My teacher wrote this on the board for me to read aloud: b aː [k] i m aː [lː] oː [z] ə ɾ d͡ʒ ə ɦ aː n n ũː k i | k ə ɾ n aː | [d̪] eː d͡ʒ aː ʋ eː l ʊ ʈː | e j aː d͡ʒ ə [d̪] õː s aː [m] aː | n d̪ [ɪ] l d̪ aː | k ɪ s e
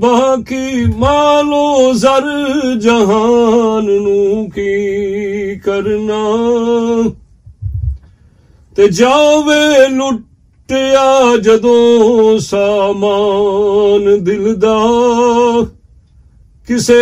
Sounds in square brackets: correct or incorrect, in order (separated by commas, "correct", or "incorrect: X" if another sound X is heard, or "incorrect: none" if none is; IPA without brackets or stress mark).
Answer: correct, incorrect: l, correct, incorrect: t̪, correct, correct, correct